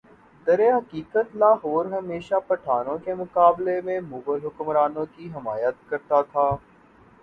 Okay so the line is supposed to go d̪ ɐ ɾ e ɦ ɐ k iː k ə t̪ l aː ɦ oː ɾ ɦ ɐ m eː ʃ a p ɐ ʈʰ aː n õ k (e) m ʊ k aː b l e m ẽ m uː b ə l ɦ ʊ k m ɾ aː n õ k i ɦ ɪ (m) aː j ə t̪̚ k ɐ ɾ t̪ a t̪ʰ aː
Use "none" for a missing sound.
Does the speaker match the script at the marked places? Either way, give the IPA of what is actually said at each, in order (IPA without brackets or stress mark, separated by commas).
e, m